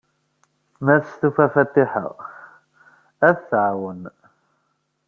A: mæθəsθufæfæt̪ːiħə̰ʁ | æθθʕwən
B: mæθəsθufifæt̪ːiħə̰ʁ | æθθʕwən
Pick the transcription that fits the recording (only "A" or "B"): A